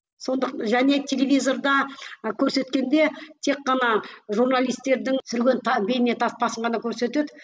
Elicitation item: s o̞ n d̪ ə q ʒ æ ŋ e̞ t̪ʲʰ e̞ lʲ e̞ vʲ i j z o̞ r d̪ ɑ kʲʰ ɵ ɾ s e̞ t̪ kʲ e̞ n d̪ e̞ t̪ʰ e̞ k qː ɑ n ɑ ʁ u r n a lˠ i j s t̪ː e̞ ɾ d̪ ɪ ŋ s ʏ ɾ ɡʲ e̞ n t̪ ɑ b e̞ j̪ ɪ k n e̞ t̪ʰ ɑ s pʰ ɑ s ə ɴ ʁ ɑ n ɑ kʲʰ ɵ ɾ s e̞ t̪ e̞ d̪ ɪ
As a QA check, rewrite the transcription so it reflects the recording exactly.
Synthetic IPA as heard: s o̞ n d̪ ə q ʒ æ n e̞ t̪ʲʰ e̞ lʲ e̞ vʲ i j z o̞ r d̪ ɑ kʲʰ ɵ ɾ s e̞ t̪ kʲ e̞ n d̪ e̞ t̪ʰ e̞ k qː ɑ n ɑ ʒ u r n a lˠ i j s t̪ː e̞ ɾ d̪ ɪ ŋ s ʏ ɾ ɡʲ e̞ n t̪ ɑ b e̞ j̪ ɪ n e̞ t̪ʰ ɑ s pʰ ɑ s ə ɴ ʁ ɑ n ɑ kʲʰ ɵ ɾ s e̞ t̪ e̞ d̪ ɪ